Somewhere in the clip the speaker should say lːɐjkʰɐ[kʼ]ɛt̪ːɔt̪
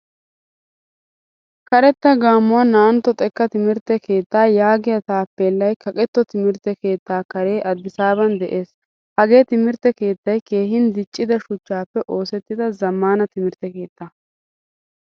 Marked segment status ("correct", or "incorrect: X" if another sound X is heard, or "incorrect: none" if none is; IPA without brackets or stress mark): correct